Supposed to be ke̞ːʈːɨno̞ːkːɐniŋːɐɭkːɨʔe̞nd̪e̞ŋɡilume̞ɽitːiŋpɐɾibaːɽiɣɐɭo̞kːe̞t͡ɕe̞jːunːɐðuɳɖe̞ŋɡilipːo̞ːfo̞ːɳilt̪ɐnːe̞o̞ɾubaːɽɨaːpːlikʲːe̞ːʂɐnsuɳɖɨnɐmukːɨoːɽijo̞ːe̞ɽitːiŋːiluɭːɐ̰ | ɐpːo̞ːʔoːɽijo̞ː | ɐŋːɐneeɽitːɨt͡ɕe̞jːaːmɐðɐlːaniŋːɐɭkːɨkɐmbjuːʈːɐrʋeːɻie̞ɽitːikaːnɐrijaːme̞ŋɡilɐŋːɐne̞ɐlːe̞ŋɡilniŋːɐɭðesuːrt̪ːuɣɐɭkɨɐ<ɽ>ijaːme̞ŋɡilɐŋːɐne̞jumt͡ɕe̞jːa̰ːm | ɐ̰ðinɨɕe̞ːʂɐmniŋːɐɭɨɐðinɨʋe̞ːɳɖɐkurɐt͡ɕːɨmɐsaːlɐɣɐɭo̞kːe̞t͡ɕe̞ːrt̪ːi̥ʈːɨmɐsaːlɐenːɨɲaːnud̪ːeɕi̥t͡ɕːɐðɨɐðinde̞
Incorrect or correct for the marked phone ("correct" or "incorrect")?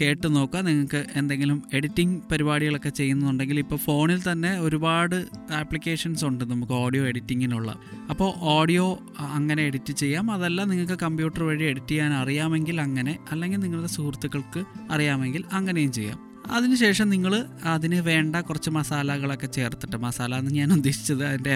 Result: incorrect